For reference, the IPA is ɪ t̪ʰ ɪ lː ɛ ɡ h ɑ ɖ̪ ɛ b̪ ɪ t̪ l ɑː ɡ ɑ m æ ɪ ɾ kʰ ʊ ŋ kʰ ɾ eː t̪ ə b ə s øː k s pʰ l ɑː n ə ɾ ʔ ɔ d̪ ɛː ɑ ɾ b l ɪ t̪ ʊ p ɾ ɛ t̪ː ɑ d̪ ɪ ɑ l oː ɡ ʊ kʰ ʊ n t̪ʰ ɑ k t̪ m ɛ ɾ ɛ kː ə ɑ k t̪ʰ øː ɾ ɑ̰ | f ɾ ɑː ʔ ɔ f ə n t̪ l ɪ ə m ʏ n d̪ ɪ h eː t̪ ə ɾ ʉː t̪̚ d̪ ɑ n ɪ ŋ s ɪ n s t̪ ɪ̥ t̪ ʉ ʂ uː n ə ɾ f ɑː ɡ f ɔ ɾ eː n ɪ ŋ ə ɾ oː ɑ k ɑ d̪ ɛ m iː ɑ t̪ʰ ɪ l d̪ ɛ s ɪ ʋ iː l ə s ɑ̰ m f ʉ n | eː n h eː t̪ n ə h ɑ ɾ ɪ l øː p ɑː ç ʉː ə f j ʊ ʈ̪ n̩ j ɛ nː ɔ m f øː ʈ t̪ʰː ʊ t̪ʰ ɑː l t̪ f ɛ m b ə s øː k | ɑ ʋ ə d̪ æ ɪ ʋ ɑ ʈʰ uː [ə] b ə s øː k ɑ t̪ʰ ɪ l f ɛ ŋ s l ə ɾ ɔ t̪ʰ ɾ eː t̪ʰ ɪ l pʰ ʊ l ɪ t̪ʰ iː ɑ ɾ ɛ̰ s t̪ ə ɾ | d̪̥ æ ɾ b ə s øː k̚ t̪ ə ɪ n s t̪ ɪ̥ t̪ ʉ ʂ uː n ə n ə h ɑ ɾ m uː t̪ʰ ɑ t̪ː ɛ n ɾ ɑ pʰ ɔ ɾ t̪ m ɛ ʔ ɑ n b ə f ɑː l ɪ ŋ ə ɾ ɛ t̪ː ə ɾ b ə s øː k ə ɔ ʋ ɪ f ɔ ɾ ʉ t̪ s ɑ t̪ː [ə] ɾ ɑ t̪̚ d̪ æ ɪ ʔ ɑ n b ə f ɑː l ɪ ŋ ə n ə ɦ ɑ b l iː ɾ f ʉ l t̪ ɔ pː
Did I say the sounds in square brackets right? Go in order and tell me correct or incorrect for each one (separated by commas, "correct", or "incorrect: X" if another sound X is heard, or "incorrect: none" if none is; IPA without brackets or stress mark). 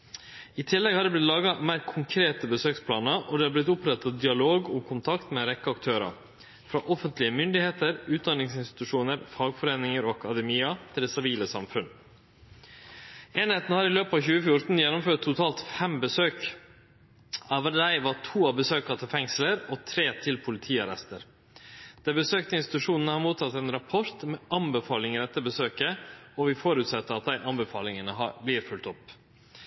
incorrect: ɑ, correct